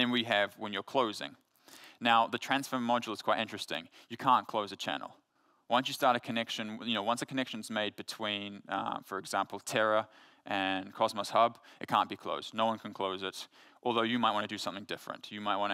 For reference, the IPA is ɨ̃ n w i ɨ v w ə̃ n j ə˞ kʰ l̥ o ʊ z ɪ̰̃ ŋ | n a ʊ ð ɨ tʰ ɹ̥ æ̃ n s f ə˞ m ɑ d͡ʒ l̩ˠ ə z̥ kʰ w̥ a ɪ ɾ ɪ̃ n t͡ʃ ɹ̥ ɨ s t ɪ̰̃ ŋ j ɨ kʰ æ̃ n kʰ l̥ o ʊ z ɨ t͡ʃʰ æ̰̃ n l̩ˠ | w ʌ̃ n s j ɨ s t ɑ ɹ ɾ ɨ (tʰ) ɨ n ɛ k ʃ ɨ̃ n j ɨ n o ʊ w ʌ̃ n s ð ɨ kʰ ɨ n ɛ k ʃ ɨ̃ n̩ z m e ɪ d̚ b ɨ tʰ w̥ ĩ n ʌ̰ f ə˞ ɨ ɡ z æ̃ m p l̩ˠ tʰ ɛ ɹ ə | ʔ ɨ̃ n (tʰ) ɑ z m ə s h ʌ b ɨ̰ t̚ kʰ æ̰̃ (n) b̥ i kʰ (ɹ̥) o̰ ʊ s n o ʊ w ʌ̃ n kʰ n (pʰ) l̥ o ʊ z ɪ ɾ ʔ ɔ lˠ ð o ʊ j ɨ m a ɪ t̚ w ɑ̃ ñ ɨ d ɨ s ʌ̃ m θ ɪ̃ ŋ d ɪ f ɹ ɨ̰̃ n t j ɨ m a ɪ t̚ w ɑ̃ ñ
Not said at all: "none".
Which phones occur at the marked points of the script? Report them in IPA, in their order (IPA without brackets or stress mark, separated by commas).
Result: kʰ, kʰ, n, l̥, kʰ